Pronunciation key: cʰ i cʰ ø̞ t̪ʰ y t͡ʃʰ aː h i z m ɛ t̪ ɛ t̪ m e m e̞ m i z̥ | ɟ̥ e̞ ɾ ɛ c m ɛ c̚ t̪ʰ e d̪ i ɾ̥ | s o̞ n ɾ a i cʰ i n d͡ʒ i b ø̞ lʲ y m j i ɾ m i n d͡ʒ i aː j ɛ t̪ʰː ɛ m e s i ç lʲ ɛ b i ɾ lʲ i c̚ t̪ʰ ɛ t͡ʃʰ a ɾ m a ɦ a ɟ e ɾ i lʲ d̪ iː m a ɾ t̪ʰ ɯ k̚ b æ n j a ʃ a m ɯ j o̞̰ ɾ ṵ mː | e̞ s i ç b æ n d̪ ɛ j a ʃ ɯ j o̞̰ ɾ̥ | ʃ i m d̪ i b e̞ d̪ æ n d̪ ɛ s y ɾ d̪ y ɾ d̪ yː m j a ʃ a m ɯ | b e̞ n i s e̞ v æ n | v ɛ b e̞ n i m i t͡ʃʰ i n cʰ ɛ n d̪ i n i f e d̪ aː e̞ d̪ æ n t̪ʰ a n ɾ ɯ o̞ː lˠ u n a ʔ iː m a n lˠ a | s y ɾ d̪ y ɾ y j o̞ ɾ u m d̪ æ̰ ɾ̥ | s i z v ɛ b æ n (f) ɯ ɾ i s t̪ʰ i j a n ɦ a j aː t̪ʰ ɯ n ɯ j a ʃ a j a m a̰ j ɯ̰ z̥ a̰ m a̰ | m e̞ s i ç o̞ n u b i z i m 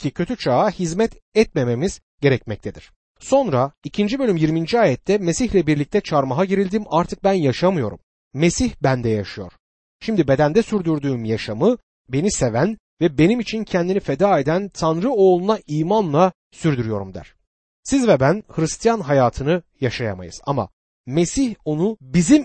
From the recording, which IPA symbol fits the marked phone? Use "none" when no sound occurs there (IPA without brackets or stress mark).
h